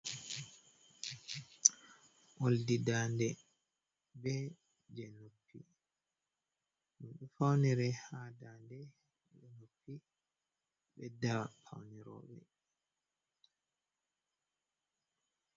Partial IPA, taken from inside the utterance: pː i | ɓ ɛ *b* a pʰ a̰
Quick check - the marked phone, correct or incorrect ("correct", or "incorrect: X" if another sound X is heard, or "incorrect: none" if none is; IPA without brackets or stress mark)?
incorrect: d